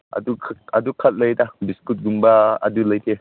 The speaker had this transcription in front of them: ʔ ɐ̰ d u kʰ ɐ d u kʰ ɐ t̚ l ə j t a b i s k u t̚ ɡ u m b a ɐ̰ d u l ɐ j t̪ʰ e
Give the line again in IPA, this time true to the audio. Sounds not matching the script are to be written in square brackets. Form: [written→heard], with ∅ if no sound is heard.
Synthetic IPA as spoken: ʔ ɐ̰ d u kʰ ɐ d u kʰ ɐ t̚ l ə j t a b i s k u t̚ ɡ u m b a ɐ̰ d u l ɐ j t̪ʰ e